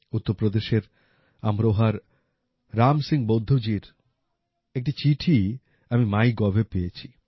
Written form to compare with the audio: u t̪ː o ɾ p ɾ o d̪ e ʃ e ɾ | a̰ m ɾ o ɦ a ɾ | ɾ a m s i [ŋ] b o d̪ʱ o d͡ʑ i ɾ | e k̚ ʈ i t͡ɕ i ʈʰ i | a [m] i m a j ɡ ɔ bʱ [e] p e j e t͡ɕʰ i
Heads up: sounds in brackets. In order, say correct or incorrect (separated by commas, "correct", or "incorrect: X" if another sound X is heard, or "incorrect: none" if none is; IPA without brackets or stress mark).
correct, correct, correct